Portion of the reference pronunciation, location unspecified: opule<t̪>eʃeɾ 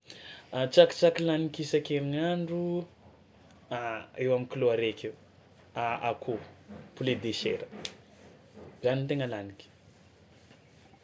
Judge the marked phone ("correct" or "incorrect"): incorrect